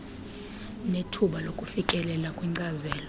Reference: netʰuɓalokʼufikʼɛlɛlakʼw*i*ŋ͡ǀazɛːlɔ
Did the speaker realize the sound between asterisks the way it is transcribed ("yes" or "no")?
yes